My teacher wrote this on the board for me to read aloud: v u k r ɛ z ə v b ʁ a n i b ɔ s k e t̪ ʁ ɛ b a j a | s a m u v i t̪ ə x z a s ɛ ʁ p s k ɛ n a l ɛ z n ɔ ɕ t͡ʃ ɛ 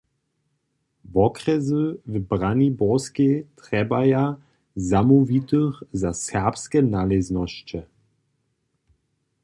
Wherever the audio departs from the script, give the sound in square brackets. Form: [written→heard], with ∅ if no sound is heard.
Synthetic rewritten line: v [u→ɔ] k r ɛ z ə v b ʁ a n i b ɔ s k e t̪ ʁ ɛ b a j a | [s→z] a m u v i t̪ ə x z a s ɛ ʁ p s k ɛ n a l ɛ z n ɔ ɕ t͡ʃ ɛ

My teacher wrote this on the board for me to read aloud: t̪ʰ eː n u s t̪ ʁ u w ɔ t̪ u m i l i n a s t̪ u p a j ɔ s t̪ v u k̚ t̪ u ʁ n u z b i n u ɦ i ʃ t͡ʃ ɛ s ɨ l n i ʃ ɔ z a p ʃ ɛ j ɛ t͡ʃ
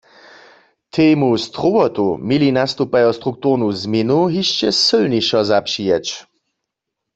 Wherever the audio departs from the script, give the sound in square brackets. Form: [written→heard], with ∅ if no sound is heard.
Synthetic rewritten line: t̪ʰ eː [n→m] u s t̪ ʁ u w ɔ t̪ u m i l i n a s t̪ u p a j ɔ s t̪ [v→ʁ] u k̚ t̪ u ʁ n u z [b→m] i n u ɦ i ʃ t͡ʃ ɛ s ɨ l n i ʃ ɔ z a p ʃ [ɛ→i] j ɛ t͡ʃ

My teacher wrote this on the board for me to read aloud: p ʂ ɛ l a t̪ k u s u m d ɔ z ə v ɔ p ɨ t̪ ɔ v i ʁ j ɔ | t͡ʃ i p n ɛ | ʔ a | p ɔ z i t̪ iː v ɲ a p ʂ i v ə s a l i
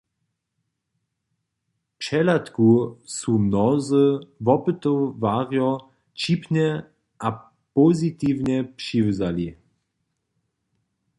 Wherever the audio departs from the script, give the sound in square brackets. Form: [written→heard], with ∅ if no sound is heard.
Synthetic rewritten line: p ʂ ɛ l a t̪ k u s u m [d→n] ɔ z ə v ɔ p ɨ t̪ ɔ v [i→a] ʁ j ɔ | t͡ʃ i p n ɛ | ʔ a | p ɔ z i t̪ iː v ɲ [a→ɛ] p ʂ i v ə [s→z] a l i

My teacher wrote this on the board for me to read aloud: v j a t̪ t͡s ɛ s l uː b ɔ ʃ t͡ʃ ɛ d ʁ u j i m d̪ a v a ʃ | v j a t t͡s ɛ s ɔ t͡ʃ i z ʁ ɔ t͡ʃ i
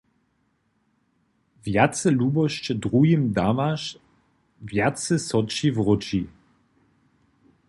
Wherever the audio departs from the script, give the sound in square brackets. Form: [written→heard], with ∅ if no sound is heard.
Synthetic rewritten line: v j a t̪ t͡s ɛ [s→∅] l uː b ɔ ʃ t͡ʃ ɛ d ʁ u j i m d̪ a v a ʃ | v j a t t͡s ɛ s ɔ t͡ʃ i [z→v] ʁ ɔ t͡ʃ i

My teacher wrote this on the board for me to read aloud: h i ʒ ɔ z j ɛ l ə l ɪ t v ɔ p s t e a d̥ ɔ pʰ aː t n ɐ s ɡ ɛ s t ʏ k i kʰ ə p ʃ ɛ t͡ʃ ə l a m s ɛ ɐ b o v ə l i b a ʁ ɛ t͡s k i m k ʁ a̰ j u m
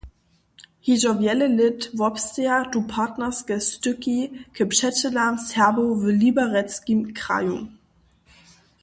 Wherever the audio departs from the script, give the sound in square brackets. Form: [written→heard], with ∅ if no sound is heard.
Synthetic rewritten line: h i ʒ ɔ [z→v] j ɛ l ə l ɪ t v ɔ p s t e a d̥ [ɔ→u] pʰ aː t n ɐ s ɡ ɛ s t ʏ k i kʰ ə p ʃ ɛ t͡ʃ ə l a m s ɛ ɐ b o v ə l i b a ʁ ɛ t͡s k i m k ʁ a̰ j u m

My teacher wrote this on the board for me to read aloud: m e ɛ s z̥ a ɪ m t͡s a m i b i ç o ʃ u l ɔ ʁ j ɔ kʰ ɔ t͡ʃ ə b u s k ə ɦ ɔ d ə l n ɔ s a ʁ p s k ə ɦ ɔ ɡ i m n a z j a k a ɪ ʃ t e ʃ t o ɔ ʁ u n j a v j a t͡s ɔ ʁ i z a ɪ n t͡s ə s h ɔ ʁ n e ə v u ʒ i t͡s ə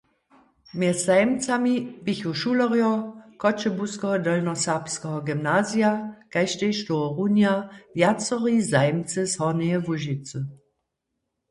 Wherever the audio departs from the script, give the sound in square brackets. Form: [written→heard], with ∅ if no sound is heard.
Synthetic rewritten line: m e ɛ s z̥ a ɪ m t͡s a m i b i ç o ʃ u l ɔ ʁ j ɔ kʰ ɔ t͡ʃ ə b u s k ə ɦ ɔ d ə l n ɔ s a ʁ p s k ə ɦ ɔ ɡ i m n a z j a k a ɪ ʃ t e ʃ t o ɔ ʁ u n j a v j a t͡s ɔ ʁ i z a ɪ [n→m] t͡s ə s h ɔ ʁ n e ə v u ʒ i t͡s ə

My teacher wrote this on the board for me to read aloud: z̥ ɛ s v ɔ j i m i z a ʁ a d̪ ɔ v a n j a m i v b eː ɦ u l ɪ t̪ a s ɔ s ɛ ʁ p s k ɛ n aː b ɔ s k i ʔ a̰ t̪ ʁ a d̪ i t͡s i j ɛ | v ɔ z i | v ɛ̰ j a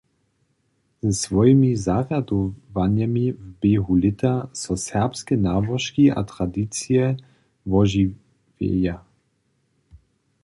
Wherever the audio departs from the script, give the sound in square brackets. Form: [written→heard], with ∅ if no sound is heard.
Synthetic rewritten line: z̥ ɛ s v ɔ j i m i z a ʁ a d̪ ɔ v a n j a m i v b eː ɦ u l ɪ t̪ a s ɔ s ɛ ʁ p s k ɛ n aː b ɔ [s→ʃ] k i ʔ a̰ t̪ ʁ a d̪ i t͡s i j ɛ | v ɔ [z→ʒ] i | v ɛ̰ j a

